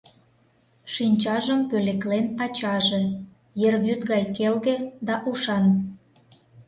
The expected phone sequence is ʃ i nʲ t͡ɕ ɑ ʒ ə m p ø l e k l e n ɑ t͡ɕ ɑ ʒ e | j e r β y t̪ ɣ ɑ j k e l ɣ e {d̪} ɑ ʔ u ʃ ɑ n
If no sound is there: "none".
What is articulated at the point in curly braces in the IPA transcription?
d̪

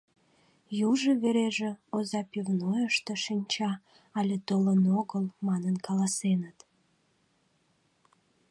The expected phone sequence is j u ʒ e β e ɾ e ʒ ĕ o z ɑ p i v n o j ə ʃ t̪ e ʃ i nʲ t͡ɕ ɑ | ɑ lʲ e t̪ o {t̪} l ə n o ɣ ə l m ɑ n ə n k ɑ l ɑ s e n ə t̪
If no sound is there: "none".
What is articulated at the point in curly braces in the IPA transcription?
none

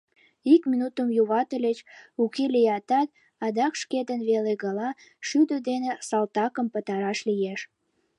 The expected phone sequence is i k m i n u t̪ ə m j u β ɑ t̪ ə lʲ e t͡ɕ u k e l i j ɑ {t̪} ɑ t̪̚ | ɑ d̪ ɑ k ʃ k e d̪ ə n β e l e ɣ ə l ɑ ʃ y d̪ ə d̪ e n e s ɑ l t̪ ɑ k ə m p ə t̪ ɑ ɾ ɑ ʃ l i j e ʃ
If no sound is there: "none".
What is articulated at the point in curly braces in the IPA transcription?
t̪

